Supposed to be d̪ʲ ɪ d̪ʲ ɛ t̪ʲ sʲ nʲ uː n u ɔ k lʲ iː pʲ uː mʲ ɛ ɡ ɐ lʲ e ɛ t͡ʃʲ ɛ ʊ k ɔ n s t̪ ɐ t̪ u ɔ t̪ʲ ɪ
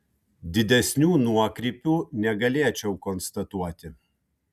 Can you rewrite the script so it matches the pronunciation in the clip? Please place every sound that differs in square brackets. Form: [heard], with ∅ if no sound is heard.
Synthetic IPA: d̪ʲ ɪ d̪ʲ ɛ [∅] sʲ nʲ uː n u ɔ k [ɾʲ] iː pʲ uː [nʲ] ɛ ɡ ɐ lʲ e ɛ t͡ʃʲ ɛ ʊ k ɔ n s t̪ ɐ t̪ u ɔ t̪ʲ ɪ